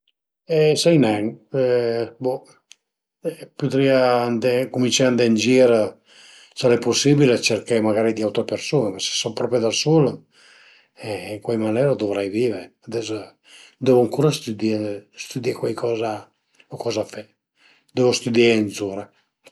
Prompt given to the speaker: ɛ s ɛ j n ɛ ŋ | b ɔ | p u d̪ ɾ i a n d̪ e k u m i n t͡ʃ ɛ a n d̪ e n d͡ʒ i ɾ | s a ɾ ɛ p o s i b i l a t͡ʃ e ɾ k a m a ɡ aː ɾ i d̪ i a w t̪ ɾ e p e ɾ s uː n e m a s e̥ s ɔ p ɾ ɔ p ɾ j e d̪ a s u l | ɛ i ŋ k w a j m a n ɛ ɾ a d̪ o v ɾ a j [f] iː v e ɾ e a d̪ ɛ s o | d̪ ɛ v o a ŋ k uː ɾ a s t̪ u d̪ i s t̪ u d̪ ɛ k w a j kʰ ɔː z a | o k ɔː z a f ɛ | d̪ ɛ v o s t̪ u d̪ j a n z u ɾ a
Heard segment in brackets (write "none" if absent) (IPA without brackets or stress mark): v